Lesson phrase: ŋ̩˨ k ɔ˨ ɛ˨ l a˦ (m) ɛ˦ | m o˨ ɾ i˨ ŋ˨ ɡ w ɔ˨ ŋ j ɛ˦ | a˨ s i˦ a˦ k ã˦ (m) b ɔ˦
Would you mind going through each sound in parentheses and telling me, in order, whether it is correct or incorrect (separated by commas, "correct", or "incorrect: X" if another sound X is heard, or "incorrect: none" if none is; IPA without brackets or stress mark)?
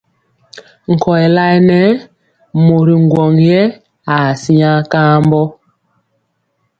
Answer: incorrect: n, correct